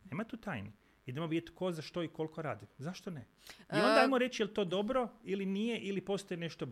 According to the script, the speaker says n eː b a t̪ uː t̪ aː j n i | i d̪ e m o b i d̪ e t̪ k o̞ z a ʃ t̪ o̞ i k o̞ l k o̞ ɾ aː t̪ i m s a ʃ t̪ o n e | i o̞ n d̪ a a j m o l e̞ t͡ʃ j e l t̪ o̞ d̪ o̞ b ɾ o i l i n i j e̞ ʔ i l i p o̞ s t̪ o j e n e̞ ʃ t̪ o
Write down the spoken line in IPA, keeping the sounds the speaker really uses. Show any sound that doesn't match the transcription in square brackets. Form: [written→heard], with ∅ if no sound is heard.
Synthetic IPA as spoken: n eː [b→m] a t̪ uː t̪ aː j n i | i d̪ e m o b i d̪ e t̪ k o̞ z a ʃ t̪ o̞ i k o̞ l k o̞ ɾ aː [t̪→d̪] i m [s→z] a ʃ t̪ o n e | i o̞ n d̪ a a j m o [l→ɾ] e̞ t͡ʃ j e l t̪ o̞ d̪ o̞ b ɾ o i l i n i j e̞ ʔ i l i p o̞ s t̪ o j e n e̞ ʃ t̪ o